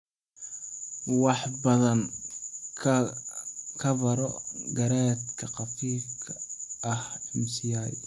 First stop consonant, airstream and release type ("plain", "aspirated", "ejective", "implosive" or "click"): plain